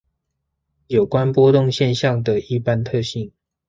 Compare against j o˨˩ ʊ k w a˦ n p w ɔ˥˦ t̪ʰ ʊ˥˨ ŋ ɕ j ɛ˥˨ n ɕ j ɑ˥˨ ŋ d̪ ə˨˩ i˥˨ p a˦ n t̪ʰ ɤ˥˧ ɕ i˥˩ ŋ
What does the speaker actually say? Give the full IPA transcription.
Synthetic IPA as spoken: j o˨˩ ʊ k w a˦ n p w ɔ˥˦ t̪ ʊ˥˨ ŋ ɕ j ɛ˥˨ n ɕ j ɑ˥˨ ŋ d̪ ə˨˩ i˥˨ p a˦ n t̪ʰ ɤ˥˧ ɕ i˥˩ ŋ